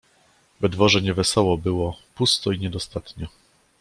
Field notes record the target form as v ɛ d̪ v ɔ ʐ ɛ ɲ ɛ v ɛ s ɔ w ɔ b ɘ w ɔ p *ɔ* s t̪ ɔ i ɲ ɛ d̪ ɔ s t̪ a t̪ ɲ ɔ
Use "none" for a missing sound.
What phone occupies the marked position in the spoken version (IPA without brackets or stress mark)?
u